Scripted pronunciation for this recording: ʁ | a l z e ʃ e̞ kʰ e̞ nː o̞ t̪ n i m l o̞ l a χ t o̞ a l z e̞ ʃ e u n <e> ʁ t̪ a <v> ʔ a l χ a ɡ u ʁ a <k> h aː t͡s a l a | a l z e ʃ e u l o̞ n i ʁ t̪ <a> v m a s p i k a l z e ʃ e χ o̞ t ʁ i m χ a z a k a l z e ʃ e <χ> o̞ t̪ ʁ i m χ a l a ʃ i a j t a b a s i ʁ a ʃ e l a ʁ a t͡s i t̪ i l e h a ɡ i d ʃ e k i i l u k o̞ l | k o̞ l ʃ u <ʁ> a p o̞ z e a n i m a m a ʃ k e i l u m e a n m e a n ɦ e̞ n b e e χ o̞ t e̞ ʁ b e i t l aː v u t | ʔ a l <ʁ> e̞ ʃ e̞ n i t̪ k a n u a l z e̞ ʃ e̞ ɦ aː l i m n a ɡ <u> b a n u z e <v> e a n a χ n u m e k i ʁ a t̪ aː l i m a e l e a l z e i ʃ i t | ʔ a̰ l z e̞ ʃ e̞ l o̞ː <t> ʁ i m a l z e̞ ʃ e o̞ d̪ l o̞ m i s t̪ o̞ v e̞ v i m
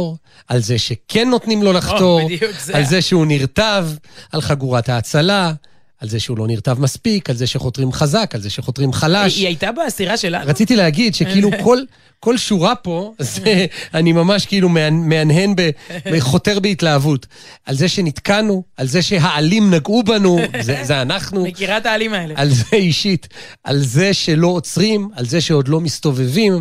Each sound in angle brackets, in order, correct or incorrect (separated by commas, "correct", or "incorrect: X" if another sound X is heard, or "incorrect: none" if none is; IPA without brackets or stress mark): incorrect: i, correct, incorrect: t, correct, correct, correct, incorrect: z, correct, incorrect: z, incorrect: t͡s